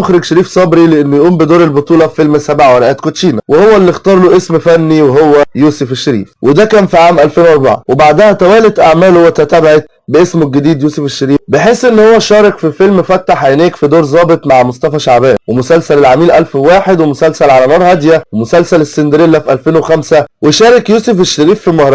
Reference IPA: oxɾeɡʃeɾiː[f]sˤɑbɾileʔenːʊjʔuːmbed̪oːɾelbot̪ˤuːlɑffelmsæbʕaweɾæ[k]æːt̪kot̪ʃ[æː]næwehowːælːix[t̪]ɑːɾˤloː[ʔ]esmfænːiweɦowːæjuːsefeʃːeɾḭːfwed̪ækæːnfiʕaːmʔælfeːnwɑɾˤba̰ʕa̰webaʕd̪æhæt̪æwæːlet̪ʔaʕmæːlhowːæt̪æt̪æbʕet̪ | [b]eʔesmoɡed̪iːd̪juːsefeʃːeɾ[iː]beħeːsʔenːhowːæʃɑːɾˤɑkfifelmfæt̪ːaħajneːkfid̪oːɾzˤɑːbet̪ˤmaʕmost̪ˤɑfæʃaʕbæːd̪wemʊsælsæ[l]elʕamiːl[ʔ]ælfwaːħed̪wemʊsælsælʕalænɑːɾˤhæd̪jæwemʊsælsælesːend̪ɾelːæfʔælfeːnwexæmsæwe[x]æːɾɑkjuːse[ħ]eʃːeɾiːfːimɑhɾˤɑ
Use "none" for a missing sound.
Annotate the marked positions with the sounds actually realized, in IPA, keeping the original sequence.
f, ʔ, iː, t̪, ʔ, b, iː, l, ʔ, ʃ, f

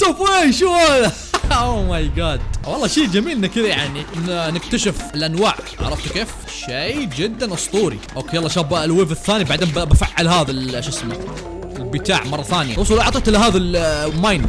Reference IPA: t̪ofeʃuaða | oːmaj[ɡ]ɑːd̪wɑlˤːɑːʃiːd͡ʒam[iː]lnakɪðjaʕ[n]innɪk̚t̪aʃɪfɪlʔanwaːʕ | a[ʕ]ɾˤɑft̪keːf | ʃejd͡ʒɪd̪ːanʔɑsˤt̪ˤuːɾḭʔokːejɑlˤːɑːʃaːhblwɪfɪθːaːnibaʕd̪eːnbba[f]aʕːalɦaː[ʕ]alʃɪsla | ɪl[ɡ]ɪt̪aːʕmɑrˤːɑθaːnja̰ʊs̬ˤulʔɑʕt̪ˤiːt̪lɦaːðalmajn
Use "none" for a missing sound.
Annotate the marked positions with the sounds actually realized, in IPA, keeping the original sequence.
ɡ, iː, n, ʕ, f, ð, b

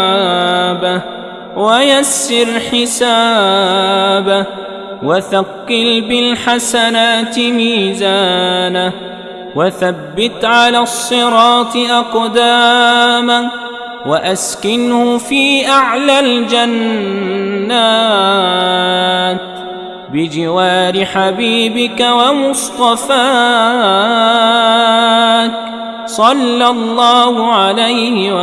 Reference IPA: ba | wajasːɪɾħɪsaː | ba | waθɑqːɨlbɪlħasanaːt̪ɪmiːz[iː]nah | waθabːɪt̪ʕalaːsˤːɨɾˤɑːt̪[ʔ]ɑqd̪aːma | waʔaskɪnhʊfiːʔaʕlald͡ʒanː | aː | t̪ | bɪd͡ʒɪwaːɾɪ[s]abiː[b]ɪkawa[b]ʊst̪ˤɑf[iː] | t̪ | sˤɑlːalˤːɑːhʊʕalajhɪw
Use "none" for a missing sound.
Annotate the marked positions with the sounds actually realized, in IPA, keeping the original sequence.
aː, ʔ, ħ, b, m, aː

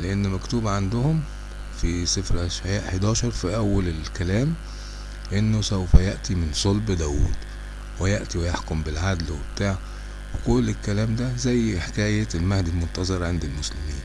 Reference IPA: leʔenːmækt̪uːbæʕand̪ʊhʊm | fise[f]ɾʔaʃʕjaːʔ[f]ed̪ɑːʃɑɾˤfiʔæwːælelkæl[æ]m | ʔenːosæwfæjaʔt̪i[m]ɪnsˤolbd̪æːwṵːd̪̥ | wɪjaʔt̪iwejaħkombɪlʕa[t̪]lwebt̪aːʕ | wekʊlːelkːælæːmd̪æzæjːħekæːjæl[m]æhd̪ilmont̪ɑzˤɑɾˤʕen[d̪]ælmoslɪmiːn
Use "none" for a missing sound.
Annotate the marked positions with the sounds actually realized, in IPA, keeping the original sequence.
f, ħ, æː, m, d̪, m, d̪

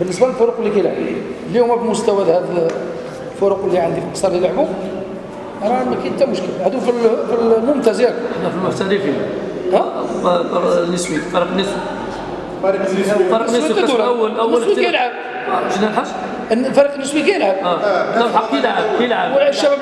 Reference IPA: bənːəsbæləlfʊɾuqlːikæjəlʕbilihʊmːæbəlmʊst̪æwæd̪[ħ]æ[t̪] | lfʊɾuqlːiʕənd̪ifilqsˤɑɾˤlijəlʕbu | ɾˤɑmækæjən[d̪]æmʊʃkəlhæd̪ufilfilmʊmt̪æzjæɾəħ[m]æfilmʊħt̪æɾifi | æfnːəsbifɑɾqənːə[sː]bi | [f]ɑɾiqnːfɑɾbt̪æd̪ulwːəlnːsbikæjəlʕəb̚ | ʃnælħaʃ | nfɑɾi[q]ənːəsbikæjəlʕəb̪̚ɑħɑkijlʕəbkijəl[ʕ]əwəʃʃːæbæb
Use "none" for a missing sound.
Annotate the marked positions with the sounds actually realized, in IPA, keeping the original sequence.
h, d̪, t̪, n, s, f, q, ʕ

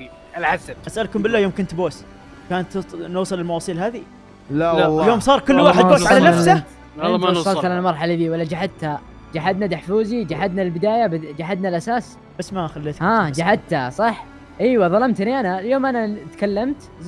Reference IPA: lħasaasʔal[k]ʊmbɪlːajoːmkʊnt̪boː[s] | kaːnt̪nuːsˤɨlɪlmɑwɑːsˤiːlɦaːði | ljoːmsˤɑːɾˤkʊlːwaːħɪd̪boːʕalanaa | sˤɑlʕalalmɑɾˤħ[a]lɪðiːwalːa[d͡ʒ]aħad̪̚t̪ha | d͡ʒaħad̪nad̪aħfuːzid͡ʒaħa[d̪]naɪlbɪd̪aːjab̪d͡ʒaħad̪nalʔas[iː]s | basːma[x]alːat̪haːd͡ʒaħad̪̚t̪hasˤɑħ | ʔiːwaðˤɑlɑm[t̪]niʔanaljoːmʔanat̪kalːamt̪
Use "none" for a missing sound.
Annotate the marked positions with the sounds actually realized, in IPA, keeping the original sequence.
k, s, a, d͡ʒ, d̪, aː, x, t̪

